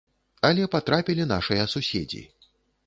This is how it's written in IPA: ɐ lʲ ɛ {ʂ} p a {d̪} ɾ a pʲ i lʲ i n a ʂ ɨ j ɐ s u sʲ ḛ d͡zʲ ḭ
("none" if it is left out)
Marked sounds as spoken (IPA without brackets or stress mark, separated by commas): none, t̪